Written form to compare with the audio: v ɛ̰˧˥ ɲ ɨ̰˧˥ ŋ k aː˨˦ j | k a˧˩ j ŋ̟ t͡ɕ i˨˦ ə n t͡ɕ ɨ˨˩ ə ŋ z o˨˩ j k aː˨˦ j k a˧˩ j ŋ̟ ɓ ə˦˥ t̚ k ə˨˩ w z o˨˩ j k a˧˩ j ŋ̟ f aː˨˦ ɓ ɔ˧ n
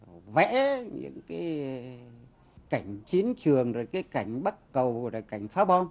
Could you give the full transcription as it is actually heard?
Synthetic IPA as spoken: v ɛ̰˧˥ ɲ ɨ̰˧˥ ŋ k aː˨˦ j | k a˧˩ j ŋ̟ t͡ɕ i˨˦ ə n t͡ɕ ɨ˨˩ ə ŋ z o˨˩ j k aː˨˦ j k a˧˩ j ŋ̟ ɓ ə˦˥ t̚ k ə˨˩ w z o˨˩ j k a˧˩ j ŋ̟ f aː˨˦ ɓ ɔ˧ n